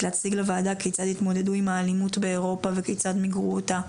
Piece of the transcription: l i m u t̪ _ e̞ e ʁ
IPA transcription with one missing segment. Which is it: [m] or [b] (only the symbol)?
b